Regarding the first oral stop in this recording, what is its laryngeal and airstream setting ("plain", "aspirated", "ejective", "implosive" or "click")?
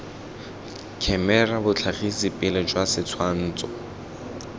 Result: aspirated